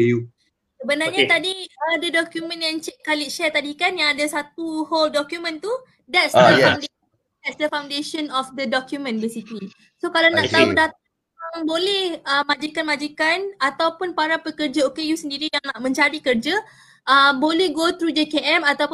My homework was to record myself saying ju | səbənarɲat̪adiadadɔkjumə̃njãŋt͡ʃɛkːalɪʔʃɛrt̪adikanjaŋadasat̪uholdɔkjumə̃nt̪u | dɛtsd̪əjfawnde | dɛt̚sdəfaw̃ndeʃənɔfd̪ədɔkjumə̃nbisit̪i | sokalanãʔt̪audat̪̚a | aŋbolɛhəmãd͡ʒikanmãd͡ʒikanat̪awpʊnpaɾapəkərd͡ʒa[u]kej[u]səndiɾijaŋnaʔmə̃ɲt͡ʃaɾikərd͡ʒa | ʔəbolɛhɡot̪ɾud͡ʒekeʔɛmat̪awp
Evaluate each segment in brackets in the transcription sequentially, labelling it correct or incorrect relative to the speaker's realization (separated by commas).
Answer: incorrect, correct